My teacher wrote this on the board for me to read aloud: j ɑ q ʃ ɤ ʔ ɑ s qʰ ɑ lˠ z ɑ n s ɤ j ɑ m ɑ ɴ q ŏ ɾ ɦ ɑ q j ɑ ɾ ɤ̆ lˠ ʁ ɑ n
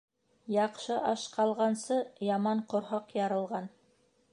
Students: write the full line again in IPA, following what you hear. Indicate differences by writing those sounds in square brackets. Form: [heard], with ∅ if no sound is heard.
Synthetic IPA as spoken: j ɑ q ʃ ɤ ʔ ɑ [ʃ] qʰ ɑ lˠ [ʁ] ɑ n s ɤ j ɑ m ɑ ɴ q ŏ ɾ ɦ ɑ q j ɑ ɾ ɤ̆ lˠ ʁ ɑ n